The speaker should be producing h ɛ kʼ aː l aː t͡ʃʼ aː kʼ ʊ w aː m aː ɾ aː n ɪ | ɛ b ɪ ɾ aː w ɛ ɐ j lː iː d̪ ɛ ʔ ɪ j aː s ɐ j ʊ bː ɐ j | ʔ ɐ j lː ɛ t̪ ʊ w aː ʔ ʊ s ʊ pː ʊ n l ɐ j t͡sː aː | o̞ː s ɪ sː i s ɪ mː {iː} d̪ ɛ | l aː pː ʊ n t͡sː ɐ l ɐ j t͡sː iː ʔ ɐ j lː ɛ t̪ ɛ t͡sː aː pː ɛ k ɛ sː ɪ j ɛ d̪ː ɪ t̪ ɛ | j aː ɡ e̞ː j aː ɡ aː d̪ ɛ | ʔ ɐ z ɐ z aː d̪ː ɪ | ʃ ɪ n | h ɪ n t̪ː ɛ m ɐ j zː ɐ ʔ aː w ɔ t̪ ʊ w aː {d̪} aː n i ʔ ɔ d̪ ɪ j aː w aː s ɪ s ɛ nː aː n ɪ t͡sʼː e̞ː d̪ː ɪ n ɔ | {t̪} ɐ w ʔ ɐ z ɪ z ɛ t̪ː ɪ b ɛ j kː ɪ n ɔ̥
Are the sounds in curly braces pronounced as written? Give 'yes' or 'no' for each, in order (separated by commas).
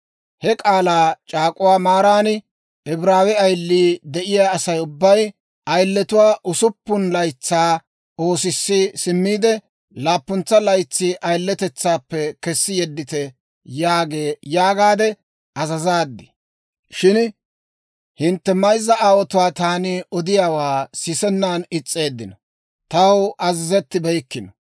yes, no, yes